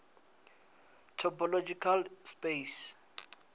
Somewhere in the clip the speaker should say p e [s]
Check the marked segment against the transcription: correct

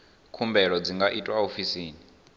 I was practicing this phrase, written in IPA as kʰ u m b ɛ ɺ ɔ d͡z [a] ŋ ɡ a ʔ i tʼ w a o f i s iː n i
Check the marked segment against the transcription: incorrect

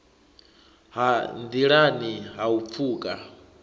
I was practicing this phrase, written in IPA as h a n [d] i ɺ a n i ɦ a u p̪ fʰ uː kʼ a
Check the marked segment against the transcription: correct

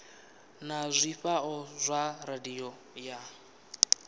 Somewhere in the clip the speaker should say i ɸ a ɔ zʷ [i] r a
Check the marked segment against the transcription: incorrect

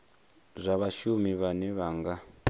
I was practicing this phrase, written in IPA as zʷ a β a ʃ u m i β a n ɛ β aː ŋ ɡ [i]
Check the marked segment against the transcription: incorrect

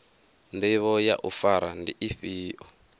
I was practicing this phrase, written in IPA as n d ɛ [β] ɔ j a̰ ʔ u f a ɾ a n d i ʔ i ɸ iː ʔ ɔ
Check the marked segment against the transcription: correct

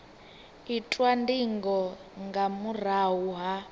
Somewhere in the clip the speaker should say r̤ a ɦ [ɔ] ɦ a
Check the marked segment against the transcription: incorrect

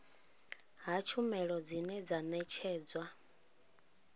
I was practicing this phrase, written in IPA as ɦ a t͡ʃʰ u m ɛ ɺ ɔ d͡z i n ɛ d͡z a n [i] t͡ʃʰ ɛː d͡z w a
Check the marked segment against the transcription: incorrect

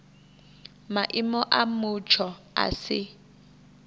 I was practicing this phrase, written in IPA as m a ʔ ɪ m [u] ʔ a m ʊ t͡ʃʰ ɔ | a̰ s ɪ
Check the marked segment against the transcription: incorrect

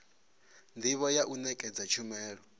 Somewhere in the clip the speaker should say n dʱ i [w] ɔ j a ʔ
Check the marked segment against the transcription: incorrect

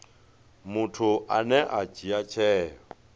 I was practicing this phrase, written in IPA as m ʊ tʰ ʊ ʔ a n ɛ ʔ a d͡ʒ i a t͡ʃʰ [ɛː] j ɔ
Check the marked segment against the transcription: correct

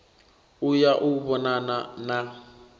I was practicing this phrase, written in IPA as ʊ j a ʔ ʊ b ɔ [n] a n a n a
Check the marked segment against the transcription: correct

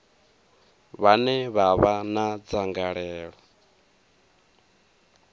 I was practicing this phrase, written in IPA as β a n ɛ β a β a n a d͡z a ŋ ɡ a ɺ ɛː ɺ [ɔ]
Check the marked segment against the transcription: correct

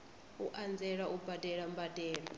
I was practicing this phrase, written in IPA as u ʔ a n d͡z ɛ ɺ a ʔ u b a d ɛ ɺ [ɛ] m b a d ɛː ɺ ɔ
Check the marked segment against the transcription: incorrect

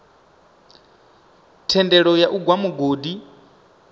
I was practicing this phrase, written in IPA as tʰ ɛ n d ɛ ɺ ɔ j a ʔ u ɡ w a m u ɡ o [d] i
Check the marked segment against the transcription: correct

